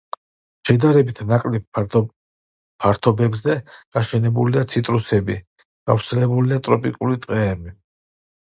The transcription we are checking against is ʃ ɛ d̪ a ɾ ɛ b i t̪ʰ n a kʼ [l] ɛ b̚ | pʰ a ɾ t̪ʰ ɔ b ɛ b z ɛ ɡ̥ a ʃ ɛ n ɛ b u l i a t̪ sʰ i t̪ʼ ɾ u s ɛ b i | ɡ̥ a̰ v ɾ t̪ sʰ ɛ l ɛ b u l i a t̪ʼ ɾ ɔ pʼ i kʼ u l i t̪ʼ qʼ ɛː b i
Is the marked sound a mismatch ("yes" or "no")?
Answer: no